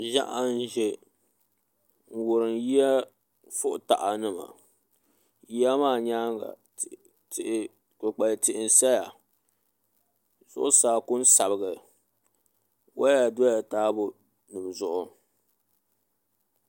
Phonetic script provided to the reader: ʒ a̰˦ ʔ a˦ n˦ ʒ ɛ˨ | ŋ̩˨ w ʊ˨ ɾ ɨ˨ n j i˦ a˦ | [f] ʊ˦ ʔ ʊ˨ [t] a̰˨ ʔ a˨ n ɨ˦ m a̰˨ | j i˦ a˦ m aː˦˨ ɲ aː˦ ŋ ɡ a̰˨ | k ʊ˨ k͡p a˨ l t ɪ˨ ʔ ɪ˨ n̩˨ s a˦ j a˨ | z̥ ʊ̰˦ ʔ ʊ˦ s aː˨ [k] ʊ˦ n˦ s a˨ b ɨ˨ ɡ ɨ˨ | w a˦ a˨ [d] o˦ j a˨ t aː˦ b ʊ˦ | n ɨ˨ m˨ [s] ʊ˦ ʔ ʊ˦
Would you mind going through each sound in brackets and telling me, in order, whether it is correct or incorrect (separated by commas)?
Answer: correct, correct, correct, correct, incorrect